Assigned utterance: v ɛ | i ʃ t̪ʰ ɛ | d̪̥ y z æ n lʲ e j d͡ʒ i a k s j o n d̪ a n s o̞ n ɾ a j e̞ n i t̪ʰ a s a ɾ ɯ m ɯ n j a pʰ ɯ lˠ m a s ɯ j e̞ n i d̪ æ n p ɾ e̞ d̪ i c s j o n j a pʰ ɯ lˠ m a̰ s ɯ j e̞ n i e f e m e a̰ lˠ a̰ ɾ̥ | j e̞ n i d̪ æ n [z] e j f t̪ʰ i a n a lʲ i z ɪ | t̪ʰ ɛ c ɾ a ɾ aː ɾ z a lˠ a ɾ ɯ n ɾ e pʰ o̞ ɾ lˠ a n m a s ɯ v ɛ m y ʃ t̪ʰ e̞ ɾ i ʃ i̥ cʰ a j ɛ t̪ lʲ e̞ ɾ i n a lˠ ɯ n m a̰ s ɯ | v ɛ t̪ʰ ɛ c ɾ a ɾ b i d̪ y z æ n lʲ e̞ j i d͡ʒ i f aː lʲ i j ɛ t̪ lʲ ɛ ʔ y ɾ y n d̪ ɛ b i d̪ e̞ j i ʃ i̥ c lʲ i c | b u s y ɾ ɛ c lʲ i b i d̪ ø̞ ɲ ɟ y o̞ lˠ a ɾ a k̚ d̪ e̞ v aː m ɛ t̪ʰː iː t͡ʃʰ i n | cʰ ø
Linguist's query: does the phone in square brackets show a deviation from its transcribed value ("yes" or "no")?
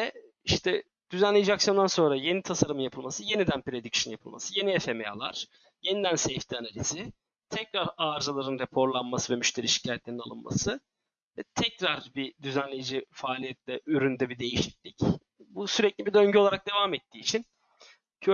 yes